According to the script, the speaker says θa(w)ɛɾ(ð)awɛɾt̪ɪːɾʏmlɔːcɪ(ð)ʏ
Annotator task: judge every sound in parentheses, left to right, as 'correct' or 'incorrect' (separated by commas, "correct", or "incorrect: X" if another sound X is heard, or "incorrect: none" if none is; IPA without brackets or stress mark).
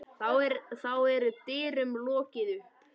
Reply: correct, incorrect: θ, correct